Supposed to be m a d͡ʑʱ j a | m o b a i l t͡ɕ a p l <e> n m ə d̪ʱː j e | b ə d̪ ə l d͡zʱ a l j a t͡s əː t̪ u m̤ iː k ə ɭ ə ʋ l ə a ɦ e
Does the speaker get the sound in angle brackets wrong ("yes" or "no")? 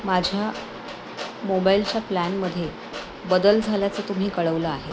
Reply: yes